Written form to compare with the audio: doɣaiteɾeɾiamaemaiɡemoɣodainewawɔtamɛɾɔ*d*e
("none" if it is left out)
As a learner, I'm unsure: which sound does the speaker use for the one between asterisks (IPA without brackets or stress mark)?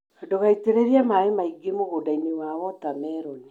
n